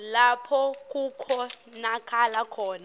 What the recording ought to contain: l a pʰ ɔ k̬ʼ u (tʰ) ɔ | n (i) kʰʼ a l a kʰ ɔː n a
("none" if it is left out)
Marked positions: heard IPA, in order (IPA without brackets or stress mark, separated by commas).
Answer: kʰ, a